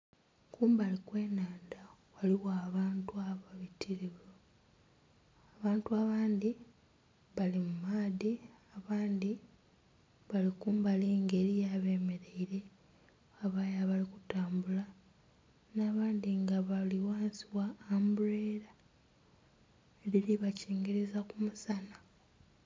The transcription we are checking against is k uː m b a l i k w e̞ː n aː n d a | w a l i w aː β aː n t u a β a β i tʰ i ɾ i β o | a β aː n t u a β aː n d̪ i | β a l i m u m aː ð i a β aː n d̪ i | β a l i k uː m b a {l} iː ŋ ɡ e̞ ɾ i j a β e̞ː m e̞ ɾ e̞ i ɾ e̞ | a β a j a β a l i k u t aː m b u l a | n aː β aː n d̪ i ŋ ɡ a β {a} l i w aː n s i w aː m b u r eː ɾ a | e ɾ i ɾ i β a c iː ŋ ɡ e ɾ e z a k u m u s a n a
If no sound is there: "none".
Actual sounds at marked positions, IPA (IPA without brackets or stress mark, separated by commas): l, a